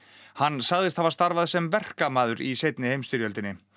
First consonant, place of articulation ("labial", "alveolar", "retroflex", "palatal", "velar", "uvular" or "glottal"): glottal